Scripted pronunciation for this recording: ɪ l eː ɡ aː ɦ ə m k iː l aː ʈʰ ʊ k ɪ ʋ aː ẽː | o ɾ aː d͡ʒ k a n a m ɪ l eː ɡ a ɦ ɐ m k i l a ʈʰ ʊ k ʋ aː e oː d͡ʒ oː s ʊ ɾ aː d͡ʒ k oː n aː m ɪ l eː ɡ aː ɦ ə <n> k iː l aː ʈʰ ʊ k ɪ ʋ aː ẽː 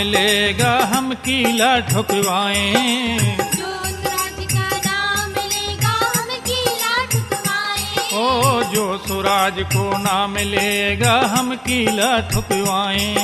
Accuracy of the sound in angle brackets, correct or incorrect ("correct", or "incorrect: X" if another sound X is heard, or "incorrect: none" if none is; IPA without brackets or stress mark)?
incorrect: m